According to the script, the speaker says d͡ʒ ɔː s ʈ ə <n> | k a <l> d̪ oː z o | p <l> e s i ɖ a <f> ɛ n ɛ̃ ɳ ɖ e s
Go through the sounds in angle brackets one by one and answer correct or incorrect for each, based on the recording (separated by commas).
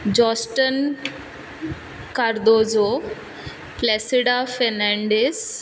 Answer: correct, incorrect, correct, correct